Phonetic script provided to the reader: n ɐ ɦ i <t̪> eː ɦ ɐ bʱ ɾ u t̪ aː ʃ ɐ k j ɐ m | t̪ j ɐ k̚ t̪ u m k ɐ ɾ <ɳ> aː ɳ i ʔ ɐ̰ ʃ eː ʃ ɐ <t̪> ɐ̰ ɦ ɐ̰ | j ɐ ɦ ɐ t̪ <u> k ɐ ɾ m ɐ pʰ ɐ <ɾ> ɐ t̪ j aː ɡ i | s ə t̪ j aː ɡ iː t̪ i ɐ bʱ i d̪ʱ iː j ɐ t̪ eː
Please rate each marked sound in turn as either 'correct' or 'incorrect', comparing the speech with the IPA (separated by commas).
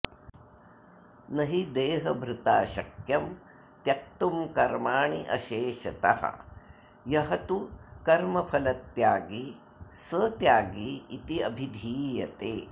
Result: incorrect, incorrect, correct, correct, incorrect